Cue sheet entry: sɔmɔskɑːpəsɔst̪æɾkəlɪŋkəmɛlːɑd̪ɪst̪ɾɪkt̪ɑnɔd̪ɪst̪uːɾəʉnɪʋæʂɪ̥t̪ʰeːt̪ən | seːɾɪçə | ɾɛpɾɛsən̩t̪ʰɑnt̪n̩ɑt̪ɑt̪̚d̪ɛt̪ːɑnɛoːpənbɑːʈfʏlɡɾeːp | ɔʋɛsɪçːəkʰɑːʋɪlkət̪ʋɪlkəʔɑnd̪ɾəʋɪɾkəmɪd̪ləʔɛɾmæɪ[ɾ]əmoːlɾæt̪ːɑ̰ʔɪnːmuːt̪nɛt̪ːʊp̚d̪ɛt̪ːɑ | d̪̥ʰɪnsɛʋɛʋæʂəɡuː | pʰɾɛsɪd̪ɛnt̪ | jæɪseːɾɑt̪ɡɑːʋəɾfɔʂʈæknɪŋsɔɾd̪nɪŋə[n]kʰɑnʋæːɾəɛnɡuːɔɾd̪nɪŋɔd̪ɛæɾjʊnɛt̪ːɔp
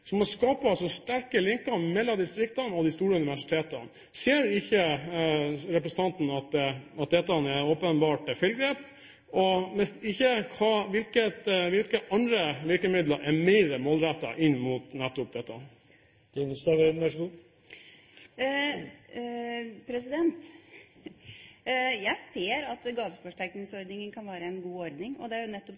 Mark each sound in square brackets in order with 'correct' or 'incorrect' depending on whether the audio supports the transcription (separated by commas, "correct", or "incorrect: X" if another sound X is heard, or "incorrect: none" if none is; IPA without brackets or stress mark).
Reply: correct, correct